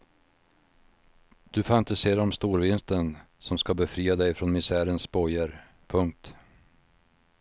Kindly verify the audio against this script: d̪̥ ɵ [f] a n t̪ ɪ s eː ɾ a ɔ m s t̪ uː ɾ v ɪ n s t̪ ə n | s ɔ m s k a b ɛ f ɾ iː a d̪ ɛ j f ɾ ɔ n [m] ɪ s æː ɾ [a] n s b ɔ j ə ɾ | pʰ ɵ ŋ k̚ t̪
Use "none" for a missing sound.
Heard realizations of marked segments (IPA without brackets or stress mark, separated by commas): f, m, ə